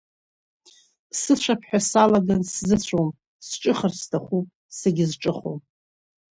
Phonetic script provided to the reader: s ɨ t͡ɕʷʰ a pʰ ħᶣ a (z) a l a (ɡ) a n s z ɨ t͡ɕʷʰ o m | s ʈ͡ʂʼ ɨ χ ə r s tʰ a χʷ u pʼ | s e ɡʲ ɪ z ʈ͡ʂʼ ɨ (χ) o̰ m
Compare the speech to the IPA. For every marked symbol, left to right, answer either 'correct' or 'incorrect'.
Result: incorrect, correct, correct

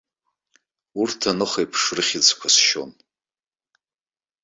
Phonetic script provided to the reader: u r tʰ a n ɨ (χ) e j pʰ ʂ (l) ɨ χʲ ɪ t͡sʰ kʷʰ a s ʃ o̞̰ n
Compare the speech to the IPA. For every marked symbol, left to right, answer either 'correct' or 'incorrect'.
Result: correct, incorrect

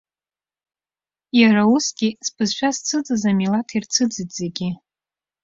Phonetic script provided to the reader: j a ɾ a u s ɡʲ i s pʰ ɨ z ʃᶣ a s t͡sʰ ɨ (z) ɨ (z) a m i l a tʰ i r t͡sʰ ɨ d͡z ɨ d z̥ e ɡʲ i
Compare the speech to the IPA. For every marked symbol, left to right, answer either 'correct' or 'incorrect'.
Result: incorrect, correct

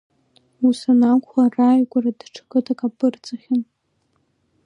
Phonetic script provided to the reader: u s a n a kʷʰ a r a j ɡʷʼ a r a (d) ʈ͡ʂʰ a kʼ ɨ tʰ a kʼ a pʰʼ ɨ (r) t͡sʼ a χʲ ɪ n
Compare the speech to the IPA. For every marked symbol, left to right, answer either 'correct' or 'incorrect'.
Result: correct, correct

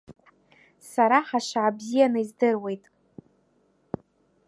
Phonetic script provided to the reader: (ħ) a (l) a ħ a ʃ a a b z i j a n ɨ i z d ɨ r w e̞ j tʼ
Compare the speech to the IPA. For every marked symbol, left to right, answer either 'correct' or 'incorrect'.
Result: incorrect, incorrect

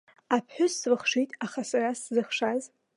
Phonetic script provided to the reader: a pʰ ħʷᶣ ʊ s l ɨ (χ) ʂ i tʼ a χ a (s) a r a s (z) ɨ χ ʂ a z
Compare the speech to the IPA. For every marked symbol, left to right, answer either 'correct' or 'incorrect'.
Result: correct, correct, correct

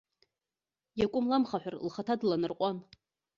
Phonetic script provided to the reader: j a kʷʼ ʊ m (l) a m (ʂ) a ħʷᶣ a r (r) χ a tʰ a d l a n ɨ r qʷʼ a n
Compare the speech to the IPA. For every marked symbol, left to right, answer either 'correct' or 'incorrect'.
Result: correct, incorrect, incorrect

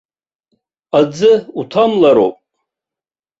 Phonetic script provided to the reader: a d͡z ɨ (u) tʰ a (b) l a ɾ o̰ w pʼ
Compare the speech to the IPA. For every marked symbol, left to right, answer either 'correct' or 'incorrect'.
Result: correct, incorrect

